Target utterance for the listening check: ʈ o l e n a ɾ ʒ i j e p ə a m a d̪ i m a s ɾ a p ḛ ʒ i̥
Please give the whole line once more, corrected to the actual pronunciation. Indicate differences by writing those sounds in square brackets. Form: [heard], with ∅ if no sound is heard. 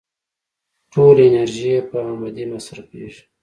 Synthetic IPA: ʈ o l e n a ɾ ʒ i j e p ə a m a d̪ i m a s ɾ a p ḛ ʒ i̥

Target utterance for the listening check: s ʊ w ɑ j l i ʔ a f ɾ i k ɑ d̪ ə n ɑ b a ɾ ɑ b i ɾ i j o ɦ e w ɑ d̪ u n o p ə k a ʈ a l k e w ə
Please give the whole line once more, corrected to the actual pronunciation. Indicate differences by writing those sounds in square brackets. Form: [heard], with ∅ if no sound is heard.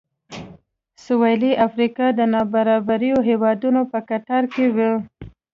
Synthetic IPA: s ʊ w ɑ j l i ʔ a f ɾ i k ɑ d̪ ə n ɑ b a ɾ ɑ b [a] ɾ i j o ɦ e w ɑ d̪ u n o p ə k a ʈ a [ɾ] k e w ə

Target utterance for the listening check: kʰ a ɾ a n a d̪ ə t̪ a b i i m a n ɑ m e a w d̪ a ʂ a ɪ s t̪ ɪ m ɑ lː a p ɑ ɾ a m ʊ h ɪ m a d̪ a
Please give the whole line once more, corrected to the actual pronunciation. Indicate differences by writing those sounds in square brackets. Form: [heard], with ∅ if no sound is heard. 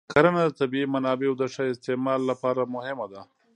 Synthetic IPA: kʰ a ɾ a n a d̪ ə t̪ a b i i m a n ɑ [b] e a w d̪ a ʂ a ɪ s t̪ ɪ m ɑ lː a p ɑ ɾ a m ʊ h ɪ m a d̪ a

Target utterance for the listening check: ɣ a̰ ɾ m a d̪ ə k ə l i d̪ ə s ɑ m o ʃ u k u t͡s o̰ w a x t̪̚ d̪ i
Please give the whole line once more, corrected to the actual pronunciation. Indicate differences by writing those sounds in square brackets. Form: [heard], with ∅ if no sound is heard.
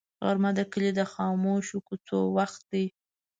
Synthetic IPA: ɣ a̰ ɾ m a d̪ ə k ə l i d̪ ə [x] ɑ m o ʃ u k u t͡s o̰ w a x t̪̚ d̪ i

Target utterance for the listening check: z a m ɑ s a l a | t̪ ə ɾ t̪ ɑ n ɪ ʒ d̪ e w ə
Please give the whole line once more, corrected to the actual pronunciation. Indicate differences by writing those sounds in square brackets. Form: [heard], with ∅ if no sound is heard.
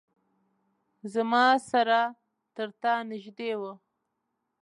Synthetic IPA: z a m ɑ s a [ɾ] a | t̪ ə ɾ t̪ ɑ n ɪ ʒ d̪ e w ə

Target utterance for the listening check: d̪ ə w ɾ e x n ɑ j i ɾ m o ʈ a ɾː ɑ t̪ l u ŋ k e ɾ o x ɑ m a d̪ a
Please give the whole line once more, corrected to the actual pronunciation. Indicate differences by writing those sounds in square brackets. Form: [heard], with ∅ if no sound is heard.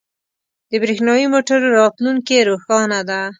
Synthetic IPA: d̪ ə [b] ɾ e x n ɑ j i [∅] m o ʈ a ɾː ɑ t̪ l u ŋ k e ɾ o x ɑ [n] a d̪ a

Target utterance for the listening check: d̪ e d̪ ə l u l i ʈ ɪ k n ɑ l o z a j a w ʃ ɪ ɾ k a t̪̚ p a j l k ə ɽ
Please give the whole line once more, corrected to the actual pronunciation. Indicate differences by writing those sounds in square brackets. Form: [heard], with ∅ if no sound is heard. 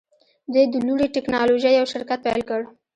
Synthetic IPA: d̪ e d̪ ə l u [ɽ] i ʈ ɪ k n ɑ l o [ʒ] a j a w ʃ ɪ ɾ k a t̪̚ p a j l k ə ɽ

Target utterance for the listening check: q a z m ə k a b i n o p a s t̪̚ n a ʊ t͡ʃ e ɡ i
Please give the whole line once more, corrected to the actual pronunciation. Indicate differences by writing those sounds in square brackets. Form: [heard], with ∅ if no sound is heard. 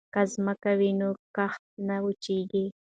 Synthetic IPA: [k] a z m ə k a [w] i n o [k] a [x] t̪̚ n a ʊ t͡ʃ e ɡ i

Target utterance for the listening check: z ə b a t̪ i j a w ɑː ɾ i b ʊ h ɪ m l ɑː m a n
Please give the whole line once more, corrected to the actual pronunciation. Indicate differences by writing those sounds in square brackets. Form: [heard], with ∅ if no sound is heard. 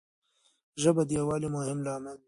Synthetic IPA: [ʒ] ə b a [d̪] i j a w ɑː [l] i [m] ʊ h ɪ m l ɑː m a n

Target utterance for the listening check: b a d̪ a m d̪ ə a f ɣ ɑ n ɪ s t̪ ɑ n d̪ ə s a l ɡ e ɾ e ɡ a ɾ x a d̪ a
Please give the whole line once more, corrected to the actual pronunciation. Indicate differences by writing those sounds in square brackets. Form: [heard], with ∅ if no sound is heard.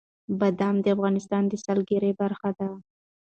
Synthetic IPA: b a d̪ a m d̪ ə a f ɣ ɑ n ɪ s t̪ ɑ n d̪ ə s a l ɡ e ɾ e [b] a ɾ x a d̪ a

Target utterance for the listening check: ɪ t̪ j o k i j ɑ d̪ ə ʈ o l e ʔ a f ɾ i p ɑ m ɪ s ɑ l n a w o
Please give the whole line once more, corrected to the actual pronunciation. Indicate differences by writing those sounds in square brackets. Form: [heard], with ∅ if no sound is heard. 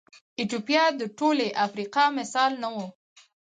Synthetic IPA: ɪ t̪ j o [p] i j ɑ d̪ ə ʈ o l e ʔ a f ɾ i [q] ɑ m ɪ s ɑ l n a w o

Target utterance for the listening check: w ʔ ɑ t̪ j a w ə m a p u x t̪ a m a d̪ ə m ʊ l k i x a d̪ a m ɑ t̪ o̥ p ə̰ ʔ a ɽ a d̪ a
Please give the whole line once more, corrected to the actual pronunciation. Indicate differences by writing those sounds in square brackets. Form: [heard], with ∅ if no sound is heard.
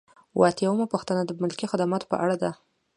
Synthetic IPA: w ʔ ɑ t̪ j a w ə m a p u x t̪ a [n] a d̪ ə m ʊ l k i x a d̪ a m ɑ t̪ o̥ p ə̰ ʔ a ɽ a d̪ a

